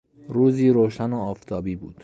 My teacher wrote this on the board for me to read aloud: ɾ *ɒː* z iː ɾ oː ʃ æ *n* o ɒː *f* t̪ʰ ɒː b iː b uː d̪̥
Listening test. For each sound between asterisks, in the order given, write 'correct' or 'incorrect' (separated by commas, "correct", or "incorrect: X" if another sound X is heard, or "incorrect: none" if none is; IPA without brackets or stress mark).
incorrect: uː, correct, correct